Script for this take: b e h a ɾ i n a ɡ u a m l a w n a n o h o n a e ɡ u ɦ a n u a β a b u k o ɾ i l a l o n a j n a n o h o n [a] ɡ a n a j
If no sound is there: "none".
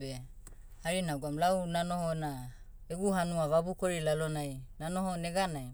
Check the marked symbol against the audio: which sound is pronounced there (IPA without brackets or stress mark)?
e